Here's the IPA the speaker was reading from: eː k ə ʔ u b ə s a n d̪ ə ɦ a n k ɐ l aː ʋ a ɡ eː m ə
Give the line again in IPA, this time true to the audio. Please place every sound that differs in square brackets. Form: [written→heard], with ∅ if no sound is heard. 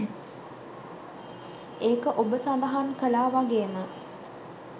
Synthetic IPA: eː k ə ʔ [u→o] b ə s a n d̪ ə ɦ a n k [ɐ→ə] l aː ʋ a ɡ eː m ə